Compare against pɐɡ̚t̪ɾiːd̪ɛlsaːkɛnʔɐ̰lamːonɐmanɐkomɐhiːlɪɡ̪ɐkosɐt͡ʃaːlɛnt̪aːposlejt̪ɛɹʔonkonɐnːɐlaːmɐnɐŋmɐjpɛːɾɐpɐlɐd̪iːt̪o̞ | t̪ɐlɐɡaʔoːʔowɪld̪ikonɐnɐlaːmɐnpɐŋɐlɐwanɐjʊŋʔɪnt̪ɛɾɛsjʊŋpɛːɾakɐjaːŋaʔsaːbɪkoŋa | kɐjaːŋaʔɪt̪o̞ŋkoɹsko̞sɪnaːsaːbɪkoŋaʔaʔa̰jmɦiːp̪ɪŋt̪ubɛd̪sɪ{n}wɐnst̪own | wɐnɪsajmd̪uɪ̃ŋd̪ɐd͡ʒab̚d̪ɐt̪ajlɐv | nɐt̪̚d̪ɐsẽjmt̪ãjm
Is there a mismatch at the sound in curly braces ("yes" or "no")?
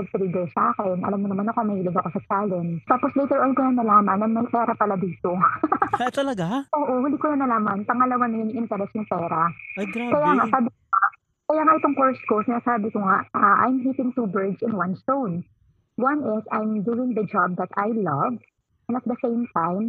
no